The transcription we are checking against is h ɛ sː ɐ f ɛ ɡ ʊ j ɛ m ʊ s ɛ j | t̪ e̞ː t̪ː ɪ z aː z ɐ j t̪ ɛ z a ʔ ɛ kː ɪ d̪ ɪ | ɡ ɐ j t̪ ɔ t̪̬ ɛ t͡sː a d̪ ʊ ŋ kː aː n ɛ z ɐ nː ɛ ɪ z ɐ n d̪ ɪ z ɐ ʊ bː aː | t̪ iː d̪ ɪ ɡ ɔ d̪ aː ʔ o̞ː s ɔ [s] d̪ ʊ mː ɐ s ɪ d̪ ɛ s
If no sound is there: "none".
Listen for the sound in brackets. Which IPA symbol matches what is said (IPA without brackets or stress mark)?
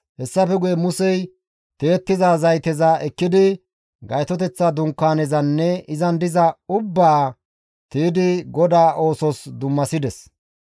s